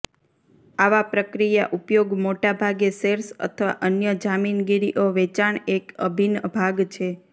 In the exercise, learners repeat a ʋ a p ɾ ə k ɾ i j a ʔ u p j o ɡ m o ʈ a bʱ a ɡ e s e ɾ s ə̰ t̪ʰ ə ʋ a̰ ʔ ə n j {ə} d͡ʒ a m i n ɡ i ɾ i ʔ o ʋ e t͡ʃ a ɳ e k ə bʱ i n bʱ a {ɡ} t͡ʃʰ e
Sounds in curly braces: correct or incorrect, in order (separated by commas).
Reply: correct, correct